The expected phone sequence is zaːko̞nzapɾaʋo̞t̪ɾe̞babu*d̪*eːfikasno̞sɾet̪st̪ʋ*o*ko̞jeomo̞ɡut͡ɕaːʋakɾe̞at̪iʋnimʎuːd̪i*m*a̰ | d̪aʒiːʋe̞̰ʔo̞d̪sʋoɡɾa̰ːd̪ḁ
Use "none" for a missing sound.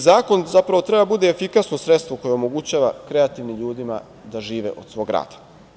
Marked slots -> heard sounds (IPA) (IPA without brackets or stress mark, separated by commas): d̪, o, m